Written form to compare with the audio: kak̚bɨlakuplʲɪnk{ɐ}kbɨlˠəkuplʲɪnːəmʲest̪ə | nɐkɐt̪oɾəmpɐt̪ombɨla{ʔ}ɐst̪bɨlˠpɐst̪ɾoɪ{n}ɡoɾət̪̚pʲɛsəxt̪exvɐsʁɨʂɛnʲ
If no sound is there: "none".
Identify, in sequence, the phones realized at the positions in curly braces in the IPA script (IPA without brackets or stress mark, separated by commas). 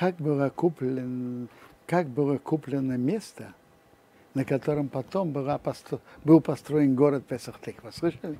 a, p, n